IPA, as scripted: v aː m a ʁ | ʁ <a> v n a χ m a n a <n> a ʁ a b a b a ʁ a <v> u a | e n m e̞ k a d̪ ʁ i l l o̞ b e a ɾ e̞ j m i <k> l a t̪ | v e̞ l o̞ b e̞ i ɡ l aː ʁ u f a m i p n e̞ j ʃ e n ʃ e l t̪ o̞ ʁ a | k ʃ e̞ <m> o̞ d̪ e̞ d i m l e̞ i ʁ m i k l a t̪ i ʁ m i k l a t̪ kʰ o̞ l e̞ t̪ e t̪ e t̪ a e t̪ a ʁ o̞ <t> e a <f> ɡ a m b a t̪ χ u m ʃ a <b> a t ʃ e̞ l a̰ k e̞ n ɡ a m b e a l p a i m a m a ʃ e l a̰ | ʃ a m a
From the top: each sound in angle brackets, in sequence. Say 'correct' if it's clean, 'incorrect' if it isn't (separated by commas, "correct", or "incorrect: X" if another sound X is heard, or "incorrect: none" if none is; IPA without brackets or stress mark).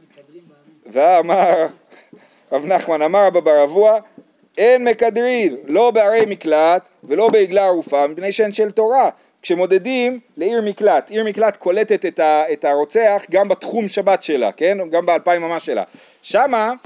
correct, incorrect: m, correct, correct, correct, incorrect: t͡s, incorrect: χ, correct